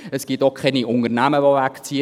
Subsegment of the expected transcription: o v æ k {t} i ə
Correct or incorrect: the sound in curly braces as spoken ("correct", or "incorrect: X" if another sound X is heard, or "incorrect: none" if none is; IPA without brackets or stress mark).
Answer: incorrect: t͡s